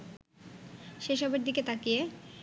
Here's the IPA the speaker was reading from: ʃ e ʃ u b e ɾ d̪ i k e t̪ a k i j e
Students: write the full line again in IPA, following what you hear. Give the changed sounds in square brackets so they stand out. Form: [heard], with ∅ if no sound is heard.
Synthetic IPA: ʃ e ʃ [ɔ] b e ɾ d̪ i k e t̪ a k i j e

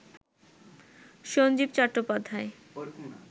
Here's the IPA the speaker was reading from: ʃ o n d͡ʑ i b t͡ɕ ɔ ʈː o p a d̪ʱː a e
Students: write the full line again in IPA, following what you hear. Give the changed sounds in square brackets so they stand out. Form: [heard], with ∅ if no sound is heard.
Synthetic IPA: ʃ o n d͡ʑ i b t͡ɕ ɔ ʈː o p a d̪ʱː a e

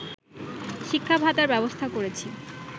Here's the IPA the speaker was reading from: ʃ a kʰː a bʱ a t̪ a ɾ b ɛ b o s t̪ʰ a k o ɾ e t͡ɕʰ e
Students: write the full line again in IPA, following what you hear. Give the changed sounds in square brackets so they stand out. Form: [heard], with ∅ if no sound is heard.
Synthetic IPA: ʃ [i] kʰː a bʱ a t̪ a ɾ b ɛ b o s t̪ʰ a k o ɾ e t͡ɕʰ [i]

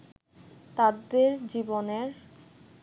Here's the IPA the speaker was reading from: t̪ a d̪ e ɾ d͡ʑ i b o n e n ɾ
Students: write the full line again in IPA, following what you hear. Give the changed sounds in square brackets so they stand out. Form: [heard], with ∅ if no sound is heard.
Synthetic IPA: t̪ a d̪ e ɾ d͡ʑ i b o n e [∅] ɾ

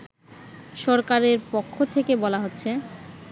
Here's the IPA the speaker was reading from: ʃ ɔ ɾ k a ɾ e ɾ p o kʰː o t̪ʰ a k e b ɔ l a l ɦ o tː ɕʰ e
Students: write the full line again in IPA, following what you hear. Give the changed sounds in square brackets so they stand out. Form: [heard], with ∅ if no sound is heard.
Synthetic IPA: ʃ ɔ ɾ k a ɾ e ɾ p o kʰː o t̪ʰ [e] k e b ɔ l a [∅] ɦ o tː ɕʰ e

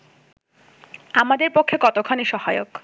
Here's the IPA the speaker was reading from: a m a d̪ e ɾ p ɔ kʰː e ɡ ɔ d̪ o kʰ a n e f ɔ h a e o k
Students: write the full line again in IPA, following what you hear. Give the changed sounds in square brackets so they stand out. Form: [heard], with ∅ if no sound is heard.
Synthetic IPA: a m a d̪ e ɾ p [o] kʰː e [k] ɔ [t̪] o kʰ a n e [ʃ] ɔ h a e o k

